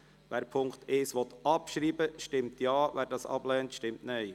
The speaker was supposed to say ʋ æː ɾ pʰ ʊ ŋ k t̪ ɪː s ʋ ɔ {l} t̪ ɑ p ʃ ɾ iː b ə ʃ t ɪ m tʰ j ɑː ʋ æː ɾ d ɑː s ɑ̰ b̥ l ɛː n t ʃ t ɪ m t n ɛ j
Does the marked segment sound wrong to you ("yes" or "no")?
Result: yes